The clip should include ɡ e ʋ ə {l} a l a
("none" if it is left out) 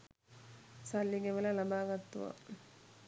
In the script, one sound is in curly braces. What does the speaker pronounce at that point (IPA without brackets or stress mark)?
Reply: l